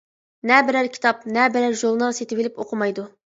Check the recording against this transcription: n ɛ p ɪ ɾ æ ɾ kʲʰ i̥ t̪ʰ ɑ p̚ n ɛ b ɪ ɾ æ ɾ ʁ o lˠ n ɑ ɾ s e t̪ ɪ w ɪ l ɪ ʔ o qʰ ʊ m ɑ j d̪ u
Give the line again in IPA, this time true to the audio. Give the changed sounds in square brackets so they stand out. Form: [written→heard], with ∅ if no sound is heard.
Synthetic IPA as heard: n ɛ [p→b] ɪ ɾ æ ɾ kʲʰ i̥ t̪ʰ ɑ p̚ n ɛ b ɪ ɾ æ ɾ [ʁ→ʒ] o lˠ n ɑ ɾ s e t̪ ɪ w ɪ l ɪ [ʔ→p] o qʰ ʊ m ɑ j d̪ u